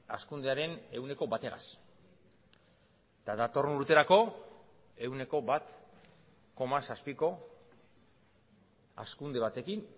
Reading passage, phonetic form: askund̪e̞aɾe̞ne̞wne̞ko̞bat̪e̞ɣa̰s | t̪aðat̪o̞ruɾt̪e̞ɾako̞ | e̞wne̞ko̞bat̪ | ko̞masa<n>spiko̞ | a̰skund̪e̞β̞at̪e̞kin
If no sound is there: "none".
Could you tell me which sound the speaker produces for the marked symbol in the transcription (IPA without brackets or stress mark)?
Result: none